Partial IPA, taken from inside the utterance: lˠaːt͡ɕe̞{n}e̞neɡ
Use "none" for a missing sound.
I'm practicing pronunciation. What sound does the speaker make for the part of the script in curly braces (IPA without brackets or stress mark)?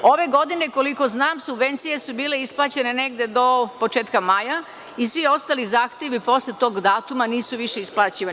n